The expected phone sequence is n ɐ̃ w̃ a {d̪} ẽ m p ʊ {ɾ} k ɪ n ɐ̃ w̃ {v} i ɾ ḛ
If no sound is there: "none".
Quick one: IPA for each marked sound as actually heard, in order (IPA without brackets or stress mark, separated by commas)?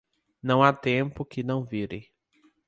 t̪, none, v